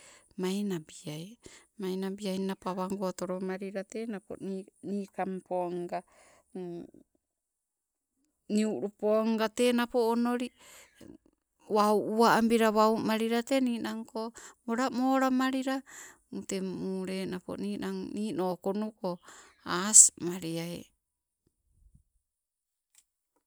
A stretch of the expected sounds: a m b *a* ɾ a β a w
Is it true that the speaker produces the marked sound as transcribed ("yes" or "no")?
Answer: no